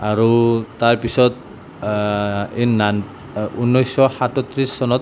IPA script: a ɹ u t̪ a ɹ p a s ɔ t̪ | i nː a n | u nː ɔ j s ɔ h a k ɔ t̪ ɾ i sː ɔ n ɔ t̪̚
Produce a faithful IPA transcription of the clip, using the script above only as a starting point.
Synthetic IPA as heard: a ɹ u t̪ a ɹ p i s ɔ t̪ | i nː a n | u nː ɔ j s ɔ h a t ɔ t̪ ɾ i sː ɔ n ɔ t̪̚